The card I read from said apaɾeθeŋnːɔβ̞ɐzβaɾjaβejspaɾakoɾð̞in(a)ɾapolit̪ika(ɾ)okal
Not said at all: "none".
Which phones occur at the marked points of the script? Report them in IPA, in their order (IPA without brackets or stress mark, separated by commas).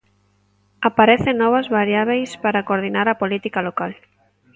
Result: a, l